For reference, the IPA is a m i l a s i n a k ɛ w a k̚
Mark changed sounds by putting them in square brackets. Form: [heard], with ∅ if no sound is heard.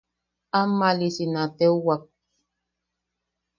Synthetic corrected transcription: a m [a] l [i] s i n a [t] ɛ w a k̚